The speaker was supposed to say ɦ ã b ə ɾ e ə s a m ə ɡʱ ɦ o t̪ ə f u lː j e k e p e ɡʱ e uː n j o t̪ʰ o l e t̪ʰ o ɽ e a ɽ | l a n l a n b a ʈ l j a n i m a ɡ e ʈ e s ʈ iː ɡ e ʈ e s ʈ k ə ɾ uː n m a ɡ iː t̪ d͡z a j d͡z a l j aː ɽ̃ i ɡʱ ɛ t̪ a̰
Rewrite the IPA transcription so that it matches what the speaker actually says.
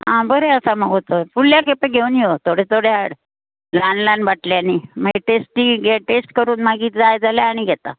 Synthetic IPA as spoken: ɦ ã b ə ɾ e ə s a m ə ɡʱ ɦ o t̪ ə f u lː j a k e p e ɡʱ e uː n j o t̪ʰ o ɽ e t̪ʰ o ɽ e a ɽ | l a n l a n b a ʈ l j a n i m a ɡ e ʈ e s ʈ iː ɡ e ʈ e s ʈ k ə ɾ uː n m a ɡ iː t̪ d͡z a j d͡z a l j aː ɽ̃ i ɡʱ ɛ t̪ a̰